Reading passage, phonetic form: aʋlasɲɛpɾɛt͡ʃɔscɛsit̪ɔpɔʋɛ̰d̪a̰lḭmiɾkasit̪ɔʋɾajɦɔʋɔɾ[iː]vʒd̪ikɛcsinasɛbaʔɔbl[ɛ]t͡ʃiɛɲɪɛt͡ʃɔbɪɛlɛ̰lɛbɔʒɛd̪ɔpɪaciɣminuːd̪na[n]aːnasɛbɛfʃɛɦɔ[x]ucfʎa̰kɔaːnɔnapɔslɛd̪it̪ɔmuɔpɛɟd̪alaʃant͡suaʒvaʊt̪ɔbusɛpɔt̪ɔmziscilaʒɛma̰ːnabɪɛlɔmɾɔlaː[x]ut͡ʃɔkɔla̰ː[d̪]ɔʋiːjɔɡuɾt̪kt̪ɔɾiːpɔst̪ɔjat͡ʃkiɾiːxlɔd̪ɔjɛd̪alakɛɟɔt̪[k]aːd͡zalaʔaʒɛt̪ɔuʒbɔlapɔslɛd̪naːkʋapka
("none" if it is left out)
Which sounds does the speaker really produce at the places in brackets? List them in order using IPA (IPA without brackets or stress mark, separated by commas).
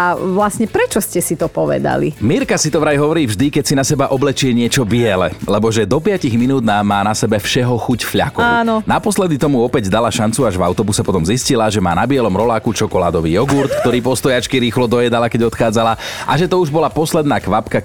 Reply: iː, ɛ, m, x, k, d̪, x